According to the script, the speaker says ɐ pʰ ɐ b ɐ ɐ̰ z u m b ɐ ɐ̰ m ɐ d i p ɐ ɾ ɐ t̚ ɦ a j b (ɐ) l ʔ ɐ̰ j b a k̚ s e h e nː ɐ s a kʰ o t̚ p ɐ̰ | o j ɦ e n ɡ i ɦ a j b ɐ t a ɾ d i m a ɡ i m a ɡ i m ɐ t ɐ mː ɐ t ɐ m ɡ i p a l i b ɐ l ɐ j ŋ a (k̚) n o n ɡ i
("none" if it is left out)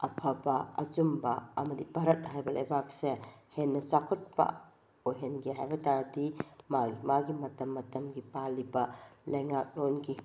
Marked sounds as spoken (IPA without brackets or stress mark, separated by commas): ɐ, k̚